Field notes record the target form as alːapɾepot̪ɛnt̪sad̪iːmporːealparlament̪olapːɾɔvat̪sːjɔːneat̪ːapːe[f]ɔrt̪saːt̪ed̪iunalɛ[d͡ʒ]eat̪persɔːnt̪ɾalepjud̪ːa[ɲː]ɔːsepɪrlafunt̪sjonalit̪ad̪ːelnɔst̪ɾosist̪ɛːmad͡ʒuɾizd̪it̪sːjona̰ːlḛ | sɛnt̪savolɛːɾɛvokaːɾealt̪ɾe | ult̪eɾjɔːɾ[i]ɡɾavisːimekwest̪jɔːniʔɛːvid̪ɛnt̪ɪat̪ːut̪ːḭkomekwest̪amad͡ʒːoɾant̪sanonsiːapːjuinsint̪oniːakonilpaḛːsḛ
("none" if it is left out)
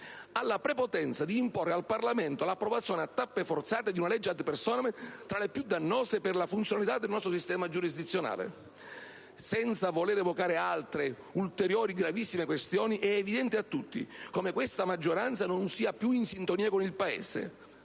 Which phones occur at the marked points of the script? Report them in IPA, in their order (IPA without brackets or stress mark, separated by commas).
f, d͡ʒː, nː, i